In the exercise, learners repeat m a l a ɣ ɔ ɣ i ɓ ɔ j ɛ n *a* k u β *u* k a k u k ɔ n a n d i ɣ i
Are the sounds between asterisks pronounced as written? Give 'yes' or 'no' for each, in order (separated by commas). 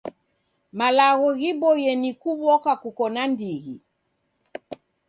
no, no